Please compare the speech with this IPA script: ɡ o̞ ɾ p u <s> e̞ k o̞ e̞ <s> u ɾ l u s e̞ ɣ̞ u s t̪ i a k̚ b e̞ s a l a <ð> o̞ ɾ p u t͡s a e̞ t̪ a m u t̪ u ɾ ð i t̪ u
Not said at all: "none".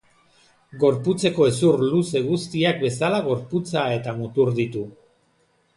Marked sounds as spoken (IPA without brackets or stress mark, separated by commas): t͡s, s, ɣ